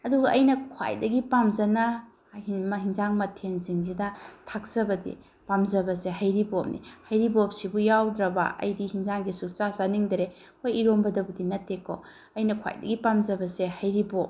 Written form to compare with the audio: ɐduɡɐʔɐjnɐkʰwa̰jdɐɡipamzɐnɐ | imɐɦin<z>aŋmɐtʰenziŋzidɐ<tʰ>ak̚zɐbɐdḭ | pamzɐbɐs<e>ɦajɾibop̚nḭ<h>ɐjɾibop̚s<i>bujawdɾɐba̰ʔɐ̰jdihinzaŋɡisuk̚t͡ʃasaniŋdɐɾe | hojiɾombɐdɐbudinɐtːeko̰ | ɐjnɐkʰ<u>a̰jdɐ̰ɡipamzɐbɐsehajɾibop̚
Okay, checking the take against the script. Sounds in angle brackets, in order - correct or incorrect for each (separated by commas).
correct, correct, correct, correct, correct, incorrect